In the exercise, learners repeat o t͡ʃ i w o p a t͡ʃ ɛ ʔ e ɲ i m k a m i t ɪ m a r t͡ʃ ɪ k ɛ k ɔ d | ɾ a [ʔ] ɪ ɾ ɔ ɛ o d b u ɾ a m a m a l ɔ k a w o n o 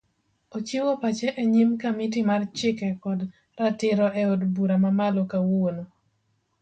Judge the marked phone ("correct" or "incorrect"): incorrect